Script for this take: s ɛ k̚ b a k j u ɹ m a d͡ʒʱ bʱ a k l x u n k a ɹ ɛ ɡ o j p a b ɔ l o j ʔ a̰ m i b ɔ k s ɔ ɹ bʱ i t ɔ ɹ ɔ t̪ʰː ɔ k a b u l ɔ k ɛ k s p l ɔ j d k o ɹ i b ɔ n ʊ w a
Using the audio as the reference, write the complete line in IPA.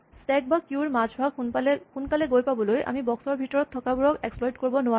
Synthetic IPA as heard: s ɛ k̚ b a k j u ɹ m a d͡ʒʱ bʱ a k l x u n k a l ɛ ɡ o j p a b ɔ l o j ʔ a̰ m i b ɔ k s ɔ ɹ bʱ i t ɔ ɹ ɔ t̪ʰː ɔ k a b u ɹ ɔ k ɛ k s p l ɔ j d k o ɹ i b ɔ n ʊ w a